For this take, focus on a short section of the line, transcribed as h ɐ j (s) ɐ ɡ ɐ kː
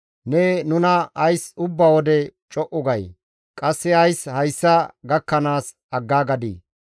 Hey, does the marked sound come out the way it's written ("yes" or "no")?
no